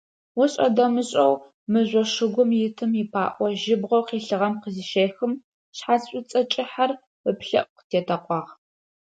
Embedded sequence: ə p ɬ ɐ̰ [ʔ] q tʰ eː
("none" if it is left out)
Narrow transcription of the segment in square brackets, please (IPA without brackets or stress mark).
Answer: ʔ